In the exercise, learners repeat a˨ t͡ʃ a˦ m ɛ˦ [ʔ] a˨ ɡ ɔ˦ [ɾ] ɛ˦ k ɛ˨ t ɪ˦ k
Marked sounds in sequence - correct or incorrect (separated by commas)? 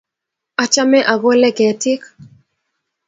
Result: correct, incorrect